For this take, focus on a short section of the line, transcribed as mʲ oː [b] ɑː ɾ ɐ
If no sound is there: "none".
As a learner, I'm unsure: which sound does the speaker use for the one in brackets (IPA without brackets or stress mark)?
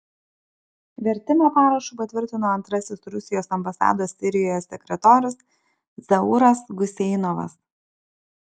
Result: p